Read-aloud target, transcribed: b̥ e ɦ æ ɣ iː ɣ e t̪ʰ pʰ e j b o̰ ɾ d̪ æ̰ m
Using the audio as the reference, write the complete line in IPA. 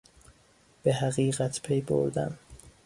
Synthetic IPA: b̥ e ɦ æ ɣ iː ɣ æ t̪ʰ pʰ e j b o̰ ɾ d̪ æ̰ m